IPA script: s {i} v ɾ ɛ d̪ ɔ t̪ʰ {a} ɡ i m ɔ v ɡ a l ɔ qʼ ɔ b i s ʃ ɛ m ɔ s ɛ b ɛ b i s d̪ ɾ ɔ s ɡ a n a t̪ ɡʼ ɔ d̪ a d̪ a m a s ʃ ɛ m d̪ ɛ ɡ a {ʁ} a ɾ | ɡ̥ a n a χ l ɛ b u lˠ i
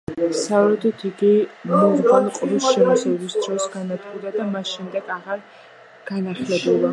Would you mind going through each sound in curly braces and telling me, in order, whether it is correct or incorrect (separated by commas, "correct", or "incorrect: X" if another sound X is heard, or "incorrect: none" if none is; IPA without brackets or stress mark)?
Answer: incorrect: a, incorrect: i, correct